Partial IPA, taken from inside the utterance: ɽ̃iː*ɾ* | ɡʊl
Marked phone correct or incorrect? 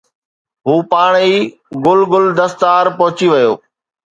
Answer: incorrect